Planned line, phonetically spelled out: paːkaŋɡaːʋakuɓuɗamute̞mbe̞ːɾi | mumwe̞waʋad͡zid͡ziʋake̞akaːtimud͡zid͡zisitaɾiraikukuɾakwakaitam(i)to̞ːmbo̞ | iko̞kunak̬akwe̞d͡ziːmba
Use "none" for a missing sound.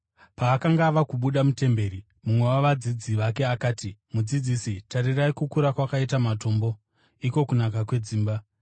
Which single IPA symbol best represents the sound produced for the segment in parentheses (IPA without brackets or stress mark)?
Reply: a